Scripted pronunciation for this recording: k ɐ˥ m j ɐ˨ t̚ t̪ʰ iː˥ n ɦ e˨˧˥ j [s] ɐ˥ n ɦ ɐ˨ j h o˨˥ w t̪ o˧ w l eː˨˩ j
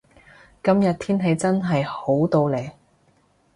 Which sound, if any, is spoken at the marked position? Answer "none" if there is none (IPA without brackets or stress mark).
t͡s